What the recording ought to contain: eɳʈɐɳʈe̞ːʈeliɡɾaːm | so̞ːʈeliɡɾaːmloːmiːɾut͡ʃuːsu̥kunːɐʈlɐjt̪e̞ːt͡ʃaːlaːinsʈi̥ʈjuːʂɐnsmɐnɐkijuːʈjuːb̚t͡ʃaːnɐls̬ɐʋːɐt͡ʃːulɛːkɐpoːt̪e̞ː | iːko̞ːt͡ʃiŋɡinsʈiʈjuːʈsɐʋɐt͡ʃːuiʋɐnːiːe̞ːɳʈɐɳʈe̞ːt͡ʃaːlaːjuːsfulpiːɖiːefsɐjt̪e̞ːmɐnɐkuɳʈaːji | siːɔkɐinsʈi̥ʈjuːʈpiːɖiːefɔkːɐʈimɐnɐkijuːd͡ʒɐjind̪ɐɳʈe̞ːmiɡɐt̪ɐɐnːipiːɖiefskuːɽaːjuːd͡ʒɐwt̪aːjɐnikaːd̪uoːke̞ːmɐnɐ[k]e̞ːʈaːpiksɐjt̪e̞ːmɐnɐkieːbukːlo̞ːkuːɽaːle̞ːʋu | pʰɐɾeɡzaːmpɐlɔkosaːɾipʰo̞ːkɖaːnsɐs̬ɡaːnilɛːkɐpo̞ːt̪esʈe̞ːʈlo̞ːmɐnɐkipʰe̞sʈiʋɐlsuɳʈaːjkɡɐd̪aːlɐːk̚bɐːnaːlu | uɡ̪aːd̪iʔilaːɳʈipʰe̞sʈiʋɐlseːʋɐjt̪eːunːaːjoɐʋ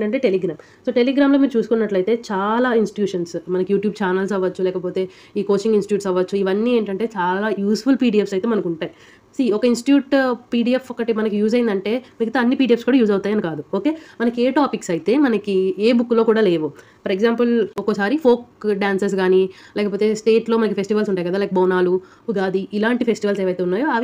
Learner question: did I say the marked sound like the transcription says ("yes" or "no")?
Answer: yes